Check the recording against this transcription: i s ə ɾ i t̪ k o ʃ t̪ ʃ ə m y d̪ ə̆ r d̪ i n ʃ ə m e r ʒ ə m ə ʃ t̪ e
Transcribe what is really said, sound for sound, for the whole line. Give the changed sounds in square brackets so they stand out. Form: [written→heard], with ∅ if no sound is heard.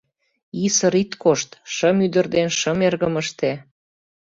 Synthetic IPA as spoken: i s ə ɾ i t̪ k o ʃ t̪ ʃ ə m y d̪ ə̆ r d̪ [i→e] n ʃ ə m e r [ʒ→ɣ] ə m ə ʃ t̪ e